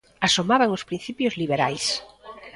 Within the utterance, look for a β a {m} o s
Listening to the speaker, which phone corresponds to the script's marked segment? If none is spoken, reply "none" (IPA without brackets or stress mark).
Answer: ŋ